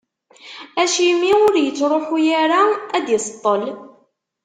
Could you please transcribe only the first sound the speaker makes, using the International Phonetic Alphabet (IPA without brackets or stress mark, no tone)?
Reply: æ